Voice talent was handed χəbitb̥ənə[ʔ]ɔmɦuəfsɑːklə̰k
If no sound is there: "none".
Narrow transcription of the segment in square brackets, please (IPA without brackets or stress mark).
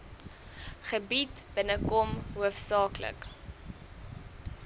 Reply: k